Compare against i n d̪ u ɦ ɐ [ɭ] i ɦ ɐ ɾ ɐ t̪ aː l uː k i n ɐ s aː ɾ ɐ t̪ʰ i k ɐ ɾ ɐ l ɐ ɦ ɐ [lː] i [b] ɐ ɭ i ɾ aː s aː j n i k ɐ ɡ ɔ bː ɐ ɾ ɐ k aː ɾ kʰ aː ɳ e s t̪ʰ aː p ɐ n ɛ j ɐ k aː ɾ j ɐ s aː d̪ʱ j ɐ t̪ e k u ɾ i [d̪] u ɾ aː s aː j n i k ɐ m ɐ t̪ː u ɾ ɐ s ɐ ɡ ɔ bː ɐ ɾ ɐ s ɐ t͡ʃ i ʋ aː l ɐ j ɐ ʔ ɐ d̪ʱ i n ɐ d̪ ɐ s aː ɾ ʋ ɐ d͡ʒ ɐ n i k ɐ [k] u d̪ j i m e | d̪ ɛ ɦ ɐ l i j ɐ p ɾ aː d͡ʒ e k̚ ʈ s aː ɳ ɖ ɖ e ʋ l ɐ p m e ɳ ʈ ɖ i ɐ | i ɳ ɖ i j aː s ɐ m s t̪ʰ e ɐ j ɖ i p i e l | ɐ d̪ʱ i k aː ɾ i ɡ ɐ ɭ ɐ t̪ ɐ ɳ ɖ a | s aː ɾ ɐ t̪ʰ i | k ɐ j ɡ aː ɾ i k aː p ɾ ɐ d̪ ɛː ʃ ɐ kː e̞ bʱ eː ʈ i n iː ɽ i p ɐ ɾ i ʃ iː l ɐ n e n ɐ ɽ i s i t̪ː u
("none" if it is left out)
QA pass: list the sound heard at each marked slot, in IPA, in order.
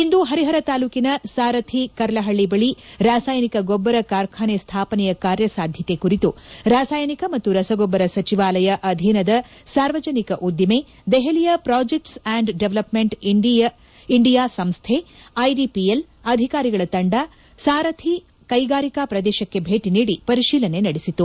ɾ, ɭː, b, t̪, ʔ

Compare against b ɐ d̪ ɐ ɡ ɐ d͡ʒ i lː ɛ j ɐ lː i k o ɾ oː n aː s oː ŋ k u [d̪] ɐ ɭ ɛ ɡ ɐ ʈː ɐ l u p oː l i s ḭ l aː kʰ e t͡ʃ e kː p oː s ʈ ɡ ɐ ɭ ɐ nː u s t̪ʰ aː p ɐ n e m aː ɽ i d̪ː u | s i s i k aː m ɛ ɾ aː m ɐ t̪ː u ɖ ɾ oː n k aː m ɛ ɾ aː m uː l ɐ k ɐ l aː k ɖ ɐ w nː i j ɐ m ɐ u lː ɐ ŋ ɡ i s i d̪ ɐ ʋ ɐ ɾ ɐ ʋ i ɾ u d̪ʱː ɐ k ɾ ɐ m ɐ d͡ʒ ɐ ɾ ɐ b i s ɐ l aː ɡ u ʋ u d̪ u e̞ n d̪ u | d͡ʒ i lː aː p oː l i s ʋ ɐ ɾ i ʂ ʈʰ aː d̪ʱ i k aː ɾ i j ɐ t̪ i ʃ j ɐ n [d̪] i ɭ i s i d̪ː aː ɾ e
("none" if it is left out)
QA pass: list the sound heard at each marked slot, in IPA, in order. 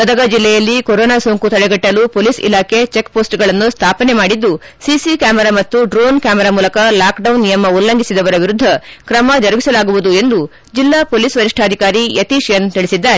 t̪, t̪

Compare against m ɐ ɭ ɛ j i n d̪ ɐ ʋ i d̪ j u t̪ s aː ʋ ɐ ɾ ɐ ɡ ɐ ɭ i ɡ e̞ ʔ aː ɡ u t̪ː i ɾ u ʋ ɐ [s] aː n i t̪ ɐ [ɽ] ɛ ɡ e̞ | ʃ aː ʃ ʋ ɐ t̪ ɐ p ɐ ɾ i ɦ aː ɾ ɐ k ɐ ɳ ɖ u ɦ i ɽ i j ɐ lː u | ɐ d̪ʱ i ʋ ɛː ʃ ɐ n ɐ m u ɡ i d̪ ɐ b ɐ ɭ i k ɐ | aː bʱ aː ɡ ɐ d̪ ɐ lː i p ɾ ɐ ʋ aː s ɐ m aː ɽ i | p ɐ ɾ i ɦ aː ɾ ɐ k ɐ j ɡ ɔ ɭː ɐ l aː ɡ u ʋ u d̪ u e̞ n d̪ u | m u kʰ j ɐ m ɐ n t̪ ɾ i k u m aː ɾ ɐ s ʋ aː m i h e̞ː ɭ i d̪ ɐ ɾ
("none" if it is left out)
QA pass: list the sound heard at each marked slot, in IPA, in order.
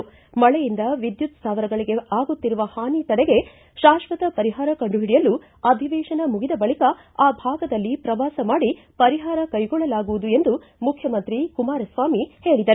h, ɽ

